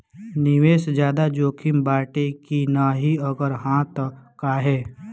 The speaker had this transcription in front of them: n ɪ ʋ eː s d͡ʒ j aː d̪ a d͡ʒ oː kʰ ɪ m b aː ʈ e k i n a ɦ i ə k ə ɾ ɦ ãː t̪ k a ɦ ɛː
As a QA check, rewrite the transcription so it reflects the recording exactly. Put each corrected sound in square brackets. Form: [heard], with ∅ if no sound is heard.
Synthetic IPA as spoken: n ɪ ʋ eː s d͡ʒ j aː d̪ a d͡ʒ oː kʰ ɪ m b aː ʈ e k i n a ɦ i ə [ɡ] ə ɾ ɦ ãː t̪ k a ɦ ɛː